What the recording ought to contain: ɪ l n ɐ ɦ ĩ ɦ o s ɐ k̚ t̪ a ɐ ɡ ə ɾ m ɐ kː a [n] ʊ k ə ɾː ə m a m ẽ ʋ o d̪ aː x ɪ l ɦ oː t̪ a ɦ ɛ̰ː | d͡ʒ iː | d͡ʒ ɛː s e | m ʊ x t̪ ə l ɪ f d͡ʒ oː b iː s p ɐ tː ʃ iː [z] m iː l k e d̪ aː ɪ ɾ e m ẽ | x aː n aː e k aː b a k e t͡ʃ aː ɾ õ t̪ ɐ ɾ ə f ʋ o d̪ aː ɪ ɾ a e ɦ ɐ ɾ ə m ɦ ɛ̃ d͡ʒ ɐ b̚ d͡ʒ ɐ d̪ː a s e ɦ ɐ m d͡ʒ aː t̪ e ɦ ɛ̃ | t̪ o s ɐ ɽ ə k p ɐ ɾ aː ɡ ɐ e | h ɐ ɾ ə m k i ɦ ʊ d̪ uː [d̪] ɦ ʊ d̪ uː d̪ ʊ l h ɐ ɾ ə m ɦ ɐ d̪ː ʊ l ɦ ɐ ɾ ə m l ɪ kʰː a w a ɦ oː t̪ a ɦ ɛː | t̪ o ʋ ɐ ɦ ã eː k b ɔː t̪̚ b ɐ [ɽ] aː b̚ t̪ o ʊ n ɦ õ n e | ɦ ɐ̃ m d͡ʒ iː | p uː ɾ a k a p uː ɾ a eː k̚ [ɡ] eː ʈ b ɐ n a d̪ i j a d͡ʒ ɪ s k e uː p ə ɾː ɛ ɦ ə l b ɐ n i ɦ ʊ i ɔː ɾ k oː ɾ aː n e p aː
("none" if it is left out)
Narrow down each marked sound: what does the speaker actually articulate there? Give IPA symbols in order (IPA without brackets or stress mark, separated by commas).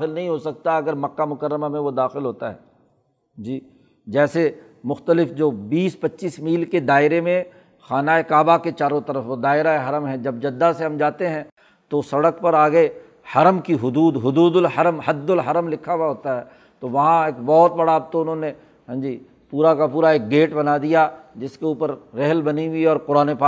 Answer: m, s, d̪, ɽ, ɡ